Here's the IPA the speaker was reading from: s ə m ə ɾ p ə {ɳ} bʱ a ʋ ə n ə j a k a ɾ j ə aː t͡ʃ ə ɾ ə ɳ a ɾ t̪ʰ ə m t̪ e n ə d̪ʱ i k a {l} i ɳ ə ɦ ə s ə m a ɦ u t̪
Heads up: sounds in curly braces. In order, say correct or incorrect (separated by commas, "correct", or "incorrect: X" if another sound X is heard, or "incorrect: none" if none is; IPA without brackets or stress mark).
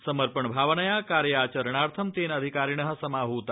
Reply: correct, incorrect: ɾ